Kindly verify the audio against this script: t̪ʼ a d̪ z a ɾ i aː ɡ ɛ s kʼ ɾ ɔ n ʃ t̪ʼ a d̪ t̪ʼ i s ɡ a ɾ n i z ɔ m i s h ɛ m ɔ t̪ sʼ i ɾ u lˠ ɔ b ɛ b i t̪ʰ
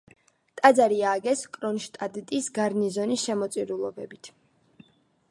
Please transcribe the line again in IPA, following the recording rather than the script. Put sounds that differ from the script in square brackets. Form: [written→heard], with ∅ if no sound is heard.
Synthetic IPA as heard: t̪ʼ a d̪ z a ɾ i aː ɡ ɛ s kʼ ɾ ɔ n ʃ t̪ʼ a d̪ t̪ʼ i s ɡ a ɾ n i z ɔ [m→n] i s [h→ʃ] ɛ m ɔ t̪ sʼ i ɾ u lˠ ɔ b ɛ b i t̪ʰ

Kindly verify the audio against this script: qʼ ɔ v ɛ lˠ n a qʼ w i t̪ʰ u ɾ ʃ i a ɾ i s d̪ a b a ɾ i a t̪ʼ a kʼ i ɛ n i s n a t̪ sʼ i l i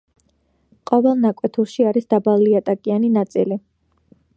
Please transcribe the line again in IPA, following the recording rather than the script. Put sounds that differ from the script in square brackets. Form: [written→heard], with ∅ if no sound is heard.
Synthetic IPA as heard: qʼ ɔ v ɛ lˠ n a [qʼ→kʼ] w [i→ɛ] t̪ʰ u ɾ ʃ i a ɾ i s d̪ a b a [ɾ→l] i a t̪ʼ a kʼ i [ɛ→a] n i [s→∅] n a t̪ sʼ i l i

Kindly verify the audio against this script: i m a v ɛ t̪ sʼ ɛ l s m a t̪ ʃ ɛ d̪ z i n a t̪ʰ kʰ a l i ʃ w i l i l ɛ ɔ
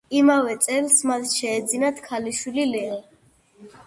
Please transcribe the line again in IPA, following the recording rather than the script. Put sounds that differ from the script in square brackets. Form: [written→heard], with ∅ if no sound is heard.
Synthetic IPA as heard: i m a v ɛ t̪ sʼ ɛ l s m a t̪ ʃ [ɛ→ɛː] d̪ z i n a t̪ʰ kʰ a l i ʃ w i l i l ɛ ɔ

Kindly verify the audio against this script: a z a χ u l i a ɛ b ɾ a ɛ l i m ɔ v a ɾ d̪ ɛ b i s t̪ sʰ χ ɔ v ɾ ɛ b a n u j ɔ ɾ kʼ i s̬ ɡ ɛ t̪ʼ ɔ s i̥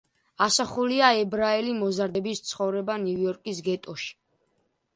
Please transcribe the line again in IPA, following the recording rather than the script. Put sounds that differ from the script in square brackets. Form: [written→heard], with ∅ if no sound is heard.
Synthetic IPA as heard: a [z→s] a χ u l i a ɛ b ɾ a ɛ l i m ɔ [v→z] a ɾ d̪ ɛ b i s t̪ sʰ χ ɔ v ɾ ɛ b a n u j ɔ ɾ kʼ i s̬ ɡ ɛ t̪ʼ ɔ [s→ʃ] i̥

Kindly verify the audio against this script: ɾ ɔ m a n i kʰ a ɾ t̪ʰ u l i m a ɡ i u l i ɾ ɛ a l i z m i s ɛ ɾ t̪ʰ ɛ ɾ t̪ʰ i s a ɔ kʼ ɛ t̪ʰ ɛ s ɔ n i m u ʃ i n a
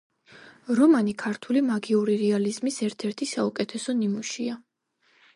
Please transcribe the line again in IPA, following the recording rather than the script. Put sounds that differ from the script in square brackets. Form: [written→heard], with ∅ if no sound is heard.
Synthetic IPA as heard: ɾ ɔ m a n i kʰ a ɾ t̪ʰ u l i m a ɡ i u [l→ɾ] i ɾ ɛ a l i z m i s ɛ ɾ t̪ʰ ɛ ɾ t̪ʰ i s a [ɔ→u] kʼ ɛ t̪ʰ ɛ s ɔ n i m u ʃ i [n→∅] a

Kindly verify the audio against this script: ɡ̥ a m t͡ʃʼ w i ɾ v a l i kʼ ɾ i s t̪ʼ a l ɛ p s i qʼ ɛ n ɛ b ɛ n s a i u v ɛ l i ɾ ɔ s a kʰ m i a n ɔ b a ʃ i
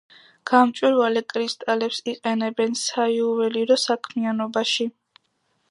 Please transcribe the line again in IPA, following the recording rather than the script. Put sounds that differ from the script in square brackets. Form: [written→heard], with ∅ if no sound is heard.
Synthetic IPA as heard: ɡ̥ a m t͡ʃʼ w i ɾ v a l [i→ɛ] kʼ ɾ i s t̪ʼ a l ɛ p s i qʼ ɛ n ɛ b ɛ n s a i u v ɛ l i ɾ ɔ s a kʰ m i a n ɔ b a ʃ i

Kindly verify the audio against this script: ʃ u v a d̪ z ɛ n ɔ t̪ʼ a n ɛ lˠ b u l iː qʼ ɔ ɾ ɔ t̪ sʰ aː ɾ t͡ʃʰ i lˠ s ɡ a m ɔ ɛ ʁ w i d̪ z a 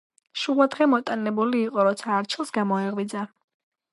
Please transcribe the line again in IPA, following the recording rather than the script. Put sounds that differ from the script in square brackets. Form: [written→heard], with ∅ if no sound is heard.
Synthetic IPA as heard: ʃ u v a d̪ [z→ʁ] ɛ [n→m] ɔ t̪ʼ a n ɛ [lˠ→∅] b u l iː qʼ ɔ ɾ ɔ t̪ sʰ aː ɾ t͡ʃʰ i lˠ s ɡ a m ɔ ɛ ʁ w i d̪ z a

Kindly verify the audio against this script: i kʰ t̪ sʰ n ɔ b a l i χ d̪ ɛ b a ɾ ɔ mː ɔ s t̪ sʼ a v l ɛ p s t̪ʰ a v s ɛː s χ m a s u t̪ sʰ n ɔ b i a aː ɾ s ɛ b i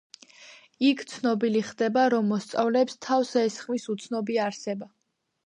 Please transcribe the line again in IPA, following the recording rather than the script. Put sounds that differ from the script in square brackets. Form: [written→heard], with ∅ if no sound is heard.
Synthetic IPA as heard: i kʰ t̪ sʰ n ɔ b [a→i] l i χ d̪ ɛ b a ɾ ɔ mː ɔ s t̪ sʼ a v l ɛ p s t̪ʰ a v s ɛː s χ m [a→i] s u t̪ sʰ n ɔ b i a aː ɾ s ɛ b [i→a]

